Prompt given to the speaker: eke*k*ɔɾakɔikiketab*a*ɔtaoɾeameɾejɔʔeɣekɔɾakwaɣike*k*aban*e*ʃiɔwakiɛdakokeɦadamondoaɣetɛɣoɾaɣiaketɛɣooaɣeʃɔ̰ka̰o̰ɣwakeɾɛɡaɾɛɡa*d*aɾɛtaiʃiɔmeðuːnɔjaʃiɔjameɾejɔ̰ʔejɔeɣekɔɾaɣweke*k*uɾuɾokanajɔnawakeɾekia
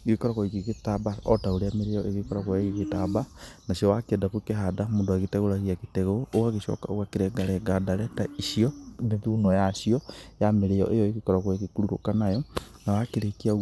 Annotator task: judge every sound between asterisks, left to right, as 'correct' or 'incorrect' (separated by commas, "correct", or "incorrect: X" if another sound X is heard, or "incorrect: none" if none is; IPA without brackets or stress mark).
correct, correct, incorrect: t, incorrect: a, correct, correct